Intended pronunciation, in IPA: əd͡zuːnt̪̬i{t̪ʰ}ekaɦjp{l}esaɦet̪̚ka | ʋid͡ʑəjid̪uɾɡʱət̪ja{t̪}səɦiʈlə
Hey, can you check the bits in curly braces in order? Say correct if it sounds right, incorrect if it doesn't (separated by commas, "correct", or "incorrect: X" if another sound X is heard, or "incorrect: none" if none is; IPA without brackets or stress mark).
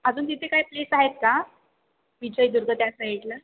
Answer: correct, correct, incorrect: none